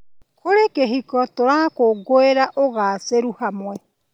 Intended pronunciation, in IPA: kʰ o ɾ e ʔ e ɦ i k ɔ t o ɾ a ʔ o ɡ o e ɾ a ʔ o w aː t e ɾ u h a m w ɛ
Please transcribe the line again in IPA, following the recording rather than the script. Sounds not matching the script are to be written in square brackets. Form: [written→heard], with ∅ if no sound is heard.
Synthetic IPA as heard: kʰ o ɾ e [ʔ→k] e ɦ i k ɔ t o ɾ a [ʔ→k] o ɡ o e ɾ a ʔ o [w→ɣ] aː [t→s] e ɾ u h a m w ɛ